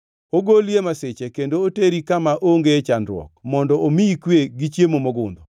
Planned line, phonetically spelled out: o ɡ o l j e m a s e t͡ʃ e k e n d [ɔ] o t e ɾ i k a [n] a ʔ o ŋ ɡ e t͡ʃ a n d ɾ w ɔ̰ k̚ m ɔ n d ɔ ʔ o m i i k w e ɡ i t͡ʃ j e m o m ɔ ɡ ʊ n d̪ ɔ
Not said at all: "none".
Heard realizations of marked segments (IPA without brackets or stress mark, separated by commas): o, m